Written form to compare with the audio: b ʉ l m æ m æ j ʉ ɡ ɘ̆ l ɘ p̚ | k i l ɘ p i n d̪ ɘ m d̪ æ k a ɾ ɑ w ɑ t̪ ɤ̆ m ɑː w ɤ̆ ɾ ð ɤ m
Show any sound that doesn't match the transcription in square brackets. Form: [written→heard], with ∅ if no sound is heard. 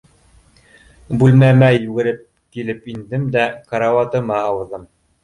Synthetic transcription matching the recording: b ʉ l m æ m æ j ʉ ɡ ɘ̆ [l→ɾ] ɘ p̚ | k i l ɘ p i n d̪ ɘ m d̪ æ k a ɾ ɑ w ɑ t̪ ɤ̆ m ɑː w ɤ̆ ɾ ð ɤ m